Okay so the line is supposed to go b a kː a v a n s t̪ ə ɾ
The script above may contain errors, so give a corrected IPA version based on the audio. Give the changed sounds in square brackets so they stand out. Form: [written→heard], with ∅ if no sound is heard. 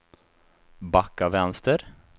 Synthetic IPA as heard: b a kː a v [a→ɛ] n s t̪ ə ɾ